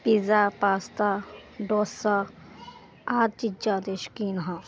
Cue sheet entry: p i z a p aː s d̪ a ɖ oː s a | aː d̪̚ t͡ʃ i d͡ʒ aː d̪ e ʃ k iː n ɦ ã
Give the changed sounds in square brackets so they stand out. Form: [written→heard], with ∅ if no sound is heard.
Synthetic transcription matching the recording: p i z a p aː s [d̪→t̪] a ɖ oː s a | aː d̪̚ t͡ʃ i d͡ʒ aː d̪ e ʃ k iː n ɦ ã

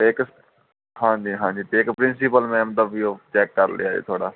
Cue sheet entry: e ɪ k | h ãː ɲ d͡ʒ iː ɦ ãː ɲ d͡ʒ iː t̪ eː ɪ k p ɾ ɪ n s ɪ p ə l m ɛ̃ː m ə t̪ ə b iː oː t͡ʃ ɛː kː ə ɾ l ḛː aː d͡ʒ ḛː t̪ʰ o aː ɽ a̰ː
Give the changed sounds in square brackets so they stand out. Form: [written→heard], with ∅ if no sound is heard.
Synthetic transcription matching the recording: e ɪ k | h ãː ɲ d͡ʒ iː ɦ ãː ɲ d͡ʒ iː t̪ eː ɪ k p ɾ ɪ n s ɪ p ə l m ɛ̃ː m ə t̪ ə b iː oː t͡ʃ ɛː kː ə ɾ l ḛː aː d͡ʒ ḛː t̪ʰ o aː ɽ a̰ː

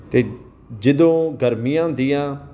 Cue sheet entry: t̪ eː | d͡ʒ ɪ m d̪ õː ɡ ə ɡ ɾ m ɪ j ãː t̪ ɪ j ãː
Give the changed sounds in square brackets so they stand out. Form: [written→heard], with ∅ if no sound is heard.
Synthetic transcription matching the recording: t̪ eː | d͡ʒ ɪ [m→∅] d̪ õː ɡ ə [ɡ→∅] ɾ m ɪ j ãː [t̪→d̪] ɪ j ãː

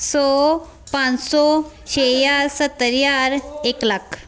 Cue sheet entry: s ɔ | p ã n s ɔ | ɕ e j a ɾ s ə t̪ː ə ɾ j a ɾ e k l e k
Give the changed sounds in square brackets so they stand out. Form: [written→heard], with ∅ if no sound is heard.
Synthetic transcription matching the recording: s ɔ | p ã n s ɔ | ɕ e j a ɾ s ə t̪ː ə ɾ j a ɾ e k l [e→a] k

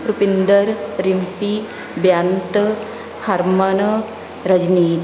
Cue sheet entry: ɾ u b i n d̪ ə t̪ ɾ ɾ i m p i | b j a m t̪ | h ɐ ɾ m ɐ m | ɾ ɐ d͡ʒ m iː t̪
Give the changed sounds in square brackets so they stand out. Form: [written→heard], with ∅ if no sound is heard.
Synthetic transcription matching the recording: ɾ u [b→p] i n d̪ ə [t̪→∅] ɾ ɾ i m p i | b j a [m→n] t̪ | h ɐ ɾ m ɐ [m→n] | ɾ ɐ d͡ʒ [m→n] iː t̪

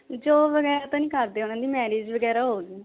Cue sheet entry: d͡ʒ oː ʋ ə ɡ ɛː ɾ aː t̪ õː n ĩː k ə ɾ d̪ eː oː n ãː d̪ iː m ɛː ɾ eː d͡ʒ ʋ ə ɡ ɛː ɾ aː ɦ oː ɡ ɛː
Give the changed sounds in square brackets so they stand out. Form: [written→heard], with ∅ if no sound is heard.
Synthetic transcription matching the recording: d͡ʒ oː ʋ ə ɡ ɛː ɾ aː t̪ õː n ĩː k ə ɾ d̪ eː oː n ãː d̪ iː m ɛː ɾ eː d͡ʒ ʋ ə ɡ ɛː ɾ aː ɦ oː ɡ [ɛː→iː]

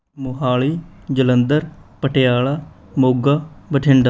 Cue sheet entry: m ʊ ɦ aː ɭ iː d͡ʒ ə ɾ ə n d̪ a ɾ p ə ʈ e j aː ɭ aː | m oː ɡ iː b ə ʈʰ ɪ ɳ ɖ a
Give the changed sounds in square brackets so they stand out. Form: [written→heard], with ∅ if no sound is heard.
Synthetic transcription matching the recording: m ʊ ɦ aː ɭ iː d͡ʒ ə [ɾ→l] ə n d̪ [a→ə] ɾ p ə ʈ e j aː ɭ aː | m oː ɡ [iː→aː] b ə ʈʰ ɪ ɳ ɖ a

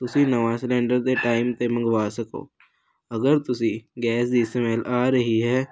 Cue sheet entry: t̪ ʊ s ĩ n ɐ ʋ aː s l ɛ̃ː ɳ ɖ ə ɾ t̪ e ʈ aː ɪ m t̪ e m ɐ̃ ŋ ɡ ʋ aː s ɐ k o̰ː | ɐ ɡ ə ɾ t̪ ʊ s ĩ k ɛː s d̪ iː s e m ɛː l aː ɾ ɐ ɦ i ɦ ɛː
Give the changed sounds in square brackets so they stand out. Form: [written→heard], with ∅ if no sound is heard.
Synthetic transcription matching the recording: t̪ ʊ s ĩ n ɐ ʋ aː s l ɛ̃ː ɳ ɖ ə ɾ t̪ e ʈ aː ɪ m t̪ e m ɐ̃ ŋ ɡ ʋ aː s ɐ k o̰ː | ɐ ɡ ə ɾ t̪ ʊ s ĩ [k→ɡ] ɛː s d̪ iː s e m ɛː l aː ɾ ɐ ɦ i ɦ ɛː

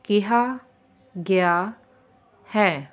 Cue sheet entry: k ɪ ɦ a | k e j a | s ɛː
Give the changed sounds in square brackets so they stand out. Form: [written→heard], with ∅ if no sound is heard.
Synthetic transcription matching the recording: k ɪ ɦ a | [k→ɡ] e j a | [s→h] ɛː

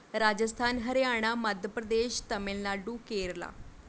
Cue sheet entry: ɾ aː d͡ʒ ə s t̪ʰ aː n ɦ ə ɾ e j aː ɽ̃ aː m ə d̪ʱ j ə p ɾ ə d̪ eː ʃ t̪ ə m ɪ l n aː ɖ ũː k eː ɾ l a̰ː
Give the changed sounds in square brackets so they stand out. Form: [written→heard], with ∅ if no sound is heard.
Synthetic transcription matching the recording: ɾ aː d͡ʒ ə s t̪ʰ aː n ɦ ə ɾ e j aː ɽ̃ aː m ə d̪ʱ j ə p ɾ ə d̪ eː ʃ t̪ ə m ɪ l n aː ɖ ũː k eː ɾ l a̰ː

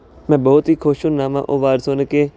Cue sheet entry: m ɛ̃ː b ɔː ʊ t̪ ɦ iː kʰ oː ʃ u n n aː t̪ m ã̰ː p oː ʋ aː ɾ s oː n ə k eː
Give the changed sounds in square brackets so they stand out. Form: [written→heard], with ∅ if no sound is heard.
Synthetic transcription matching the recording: m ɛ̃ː b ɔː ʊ t̪ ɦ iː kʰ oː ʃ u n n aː [t̪→∅] m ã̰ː [p→ʔ] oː ʋ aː ɾ s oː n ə k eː

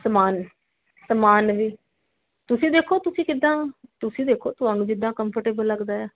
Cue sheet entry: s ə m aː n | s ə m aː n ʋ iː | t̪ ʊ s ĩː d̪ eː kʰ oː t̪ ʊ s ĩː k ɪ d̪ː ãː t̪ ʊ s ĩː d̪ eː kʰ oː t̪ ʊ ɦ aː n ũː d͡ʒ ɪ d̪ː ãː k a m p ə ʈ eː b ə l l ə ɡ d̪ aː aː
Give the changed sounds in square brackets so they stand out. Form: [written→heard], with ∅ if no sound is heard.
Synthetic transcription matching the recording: s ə m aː n | s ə m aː n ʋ iː | t̪ ʊ s ĩː d̪ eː kʰ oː t̪ ʊ s ĩː k ɪ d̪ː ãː t̪ ʊ s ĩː d̪ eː kʰ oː t̪ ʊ ɦ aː n ũː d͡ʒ ɪ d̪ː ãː k [a→ə] m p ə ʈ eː b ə l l ə ɡ d̪ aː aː

